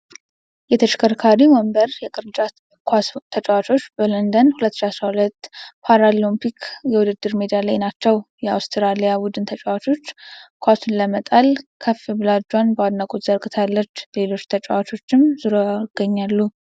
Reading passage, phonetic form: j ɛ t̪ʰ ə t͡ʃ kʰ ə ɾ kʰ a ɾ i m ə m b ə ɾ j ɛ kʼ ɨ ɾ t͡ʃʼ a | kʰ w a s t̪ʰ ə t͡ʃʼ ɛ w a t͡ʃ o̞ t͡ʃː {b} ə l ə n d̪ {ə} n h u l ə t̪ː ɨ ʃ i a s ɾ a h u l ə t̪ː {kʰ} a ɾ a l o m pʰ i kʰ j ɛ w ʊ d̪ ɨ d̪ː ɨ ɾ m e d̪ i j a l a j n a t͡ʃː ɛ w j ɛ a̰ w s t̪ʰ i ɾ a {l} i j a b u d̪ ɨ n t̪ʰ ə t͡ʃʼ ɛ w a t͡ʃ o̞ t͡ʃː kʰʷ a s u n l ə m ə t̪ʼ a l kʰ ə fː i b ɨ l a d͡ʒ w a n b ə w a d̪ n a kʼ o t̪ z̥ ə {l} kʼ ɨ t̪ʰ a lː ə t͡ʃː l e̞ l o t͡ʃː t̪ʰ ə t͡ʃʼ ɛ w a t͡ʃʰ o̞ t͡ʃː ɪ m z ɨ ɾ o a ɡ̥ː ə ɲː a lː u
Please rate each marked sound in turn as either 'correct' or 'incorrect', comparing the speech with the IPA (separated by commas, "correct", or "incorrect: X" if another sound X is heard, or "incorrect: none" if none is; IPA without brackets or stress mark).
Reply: correct, correct, incorrect: pʰ, correct, incorrect: ɾ